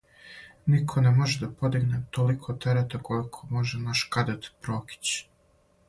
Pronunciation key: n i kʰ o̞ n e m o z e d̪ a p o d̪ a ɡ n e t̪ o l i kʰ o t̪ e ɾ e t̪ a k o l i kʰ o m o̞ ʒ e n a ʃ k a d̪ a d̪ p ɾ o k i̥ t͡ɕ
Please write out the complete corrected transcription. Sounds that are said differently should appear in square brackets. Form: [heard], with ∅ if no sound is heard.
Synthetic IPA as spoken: n i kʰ o̞ n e m o [ʒ] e d̪ a p o d̪ [i] ɡ n e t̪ o l i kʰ o t̪ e ɾ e t̪ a k o l i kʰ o m o̞ ʒ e n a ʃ k a d̪ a [t̪] p ɾ o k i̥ t͡ɕ

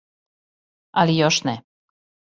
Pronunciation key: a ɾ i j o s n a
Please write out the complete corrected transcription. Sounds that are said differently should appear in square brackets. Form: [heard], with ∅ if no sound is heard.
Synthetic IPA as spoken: a [l] i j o [ʃ] n [ɛ]

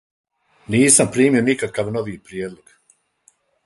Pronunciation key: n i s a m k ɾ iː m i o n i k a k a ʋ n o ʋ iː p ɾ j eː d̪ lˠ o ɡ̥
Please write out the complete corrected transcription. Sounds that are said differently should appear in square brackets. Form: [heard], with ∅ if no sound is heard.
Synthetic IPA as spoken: n [iː] s a m [p] ɾ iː m i o n i k a k a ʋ n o ʋ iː p ɾ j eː d̪ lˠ o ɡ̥

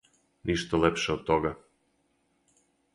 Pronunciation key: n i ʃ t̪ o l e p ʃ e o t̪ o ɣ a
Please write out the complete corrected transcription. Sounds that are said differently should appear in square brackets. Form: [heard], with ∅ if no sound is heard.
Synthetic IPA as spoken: n i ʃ t̪ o l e p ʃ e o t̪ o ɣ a

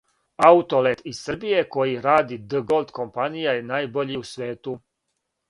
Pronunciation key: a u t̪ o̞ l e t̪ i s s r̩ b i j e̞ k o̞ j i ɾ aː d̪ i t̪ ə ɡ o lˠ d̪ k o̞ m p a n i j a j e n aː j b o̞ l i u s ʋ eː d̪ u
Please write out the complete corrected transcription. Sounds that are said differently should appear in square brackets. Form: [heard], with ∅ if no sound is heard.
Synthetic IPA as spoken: a u t̪ o̞ l e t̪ i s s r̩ b i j e̞ k o̞ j i ɾ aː d̪ i [d̪] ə ɡ o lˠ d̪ k o̞ m p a n i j a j e n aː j b o̞ [ʎ] i u s ʋ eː [t̪] u

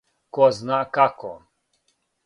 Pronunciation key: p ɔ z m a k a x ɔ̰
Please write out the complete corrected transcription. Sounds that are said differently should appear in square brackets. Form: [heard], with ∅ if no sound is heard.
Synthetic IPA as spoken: [k] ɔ z [n] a k a [k] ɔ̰

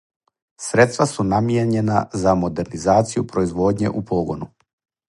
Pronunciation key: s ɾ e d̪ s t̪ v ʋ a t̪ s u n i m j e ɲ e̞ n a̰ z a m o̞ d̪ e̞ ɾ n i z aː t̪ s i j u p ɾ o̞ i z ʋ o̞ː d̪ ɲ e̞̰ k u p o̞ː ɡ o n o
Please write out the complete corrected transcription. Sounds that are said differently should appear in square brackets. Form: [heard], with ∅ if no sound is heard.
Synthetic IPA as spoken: s ɾ e [t̪] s t̪ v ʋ a [∅] s u n [a] m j e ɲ e̞ n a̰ z a m o̞ d̪ e̞ ɾ n i z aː t̪ s i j u p ɾ o̞ i z ʋ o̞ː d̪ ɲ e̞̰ [ʔ] u p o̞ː ɡ o n [u]

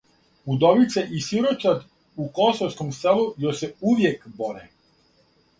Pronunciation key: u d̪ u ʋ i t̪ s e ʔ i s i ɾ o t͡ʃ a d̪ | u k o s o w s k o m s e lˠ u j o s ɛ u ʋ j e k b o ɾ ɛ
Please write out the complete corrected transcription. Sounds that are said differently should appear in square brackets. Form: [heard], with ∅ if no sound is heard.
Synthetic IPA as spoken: u d̪ [o] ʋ i t̪ s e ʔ i s i ɾ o t͡ʃ a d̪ | u k o s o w s k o m s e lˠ u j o s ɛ u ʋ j e k b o ɾ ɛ

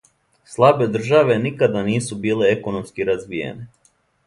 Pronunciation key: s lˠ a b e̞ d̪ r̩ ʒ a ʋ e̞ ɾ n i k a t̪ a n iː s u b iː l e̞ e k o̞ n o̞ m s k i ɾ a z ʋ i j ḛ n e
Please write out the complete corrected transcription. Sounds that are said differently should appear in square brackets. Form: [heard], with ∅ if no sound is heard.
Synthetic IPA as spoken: s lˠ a b e̞ d̪ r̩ ʒ a ʋ e̞ [∅] n i k a [d̪] a n iː s u b iː l e̞ e k o̞ n o̞ m s k i ɾ a z ʋ i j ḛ n e

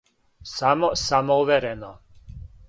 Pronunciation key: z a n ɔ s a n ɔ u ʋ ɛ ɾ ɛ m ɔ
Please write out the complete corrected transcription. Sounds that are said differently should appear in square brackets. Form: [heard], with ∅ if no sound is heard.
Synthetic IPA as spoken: [s] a [m] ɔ s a [m] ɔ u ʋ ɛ ɾ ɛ [n] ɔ

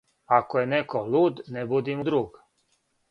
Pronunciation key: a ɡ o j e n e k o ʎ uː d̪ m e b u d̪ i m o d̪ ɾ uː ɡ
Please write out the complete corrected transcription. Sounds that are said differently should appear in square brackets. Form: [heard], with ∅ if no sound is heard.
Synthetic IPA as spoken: a [k] o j e n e k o [l] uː d̪ [n] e b u d̪ i m [u] d̪ ɾ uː ɡ

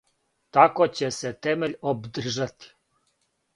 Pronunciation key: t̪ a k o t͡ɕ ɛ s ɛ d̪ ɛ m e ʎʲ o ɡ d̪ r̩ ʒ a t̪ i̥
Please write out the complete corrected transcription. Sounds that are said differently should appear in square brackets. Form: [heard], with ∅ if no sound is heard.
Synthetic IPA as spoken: t̪ a k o t͡ɕ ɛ s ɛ [t̪] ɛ m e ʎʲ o [b] d̪ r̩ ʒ a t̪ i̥

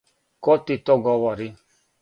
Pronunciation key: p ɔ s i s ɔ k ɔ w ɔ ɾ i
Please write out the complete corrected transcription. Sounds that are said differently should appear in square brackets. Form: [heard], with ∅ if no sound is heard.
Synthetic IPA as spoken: [k] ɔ [t] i [t] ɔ [ɡ] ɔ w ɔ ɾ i

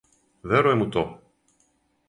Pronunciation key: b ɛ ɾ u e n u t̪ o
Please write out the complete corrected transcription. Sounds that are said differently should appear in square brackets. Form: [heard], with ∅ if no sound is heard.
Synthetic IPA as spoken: [v] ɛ ɾ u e [m] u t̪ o

